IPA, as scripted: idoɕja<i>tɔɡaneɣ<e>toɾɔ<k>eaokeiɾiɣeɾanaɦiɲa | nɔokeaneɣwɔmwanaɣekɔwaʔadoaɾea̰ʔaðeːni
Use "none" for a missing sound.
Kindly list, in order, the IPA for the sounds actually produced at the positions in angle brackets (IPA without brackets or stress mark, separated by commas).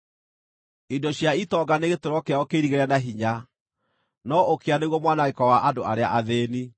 i, e, k